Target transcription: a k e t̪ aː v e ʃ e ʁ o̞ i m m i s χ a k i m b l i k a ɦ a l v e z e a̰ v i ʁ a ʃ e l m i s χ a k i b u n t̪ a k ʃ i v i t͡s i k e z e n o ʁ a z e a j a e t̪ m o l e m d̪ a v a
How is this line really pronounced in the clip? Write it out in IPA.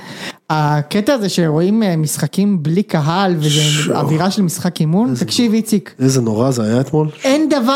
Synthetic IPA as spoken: a k e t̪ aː z e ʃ e ʁ o̞ i m m i s χ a k i m b l i k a ɦ a l v e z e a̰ v i ʁ a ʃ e l m i s χ a k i m u n t̪ a k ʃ i v i t͡s i k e z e n o ʁ a z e a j a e t̪ m o l e n d̪ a v a